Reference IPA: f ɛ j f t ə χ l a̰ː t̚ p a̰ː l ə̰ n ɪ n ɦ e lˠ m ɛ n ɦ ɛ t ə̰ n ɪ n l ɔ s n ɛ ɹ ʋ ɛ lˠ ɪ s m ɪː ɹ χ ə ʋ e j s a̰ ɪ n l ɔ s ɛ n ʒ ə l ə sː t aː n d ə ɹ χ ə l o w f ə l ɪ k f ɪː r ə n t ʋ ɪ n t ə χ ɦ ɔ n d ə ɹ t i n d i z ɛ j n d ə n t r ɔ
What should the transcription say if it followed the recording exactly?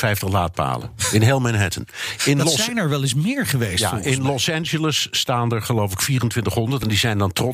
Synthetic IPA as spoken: f ɛ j f t ə χ l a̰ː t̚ p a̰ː l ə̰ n ɪ n ɦ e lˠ m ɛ n ɦ ɛ t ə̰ n ɪ n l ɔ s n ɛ ɹ ʋ ɛ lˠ ɪ s m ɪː ɹ χ ə ʋ e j s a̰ ɪ n l ɔ s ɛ n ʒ ə l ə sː t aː n d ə ɹ χ ə l o w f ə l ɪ k f iː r ə n t ʋ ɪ n t ə χ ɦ ɔ n d ə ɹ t ɛ n d i z ɛ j n d ɑ n t r ɔ